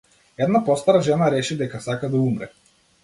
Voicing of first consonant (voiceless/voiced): voiced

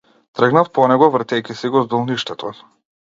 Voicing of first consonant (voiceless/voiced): voiceless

